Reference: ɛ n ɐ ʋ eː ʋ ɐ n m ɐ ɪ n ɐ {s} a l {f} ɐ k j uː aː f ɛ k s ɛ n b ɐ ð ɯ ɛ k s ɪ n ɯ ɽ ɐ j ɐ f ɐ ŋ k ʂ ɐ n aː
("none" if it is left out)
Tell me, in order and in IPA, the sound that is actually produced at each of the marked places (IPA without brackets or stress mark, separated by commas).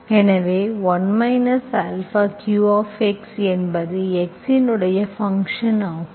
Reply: s, f